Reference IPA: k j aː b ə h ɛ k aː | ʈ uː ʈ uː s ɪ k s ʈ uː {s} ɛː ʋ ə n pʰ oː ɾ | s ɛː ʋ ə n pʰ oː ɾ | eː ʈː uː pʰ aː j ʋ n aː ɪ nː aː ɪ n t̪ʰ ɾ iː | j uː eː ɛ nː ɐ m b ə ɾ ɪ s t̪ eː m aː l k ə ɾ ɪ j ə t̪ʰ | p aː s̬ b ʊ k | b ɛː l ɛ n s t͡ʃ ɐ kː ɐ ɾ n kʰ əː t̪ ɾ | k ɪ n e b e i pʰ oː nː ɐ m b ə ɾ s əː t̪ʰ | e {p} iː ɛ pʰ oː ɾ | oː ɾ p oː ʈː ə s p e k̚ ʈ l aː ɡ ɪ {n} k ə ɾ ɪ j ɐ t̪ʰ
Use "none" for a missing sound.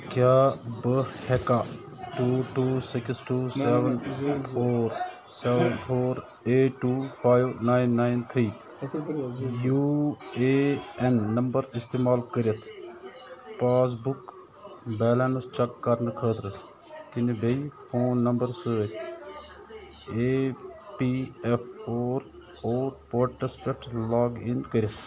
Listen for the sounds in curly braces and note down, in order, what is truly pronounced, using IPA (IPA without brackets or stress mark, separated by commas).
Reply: s, p, n